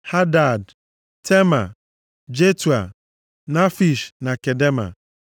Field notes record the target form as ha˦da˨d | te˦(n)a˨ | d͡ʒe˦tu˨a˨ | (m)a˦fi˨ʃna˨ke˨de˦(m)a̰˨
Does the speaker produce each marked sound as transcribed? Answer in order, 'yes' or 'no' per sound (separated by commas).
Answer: no, no, yes